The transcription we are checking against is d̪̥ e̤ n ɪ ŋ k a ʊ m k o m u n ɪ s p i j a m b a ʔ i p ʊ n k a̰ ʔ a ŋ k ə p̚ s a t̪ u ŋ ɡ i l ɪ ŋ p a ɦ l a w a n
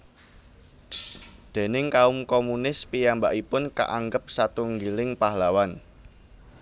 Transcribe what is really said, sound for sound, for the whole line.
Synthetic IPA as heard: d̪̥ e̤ n ɪ ŋ k a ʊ m k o m u n ɪ s p i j a m b a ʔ i p ʊ n k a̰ ʔ a ŋ ɡ ə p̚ s a t̪ u ŋ ɡ i l ɪ ŋ p a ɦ l a w a n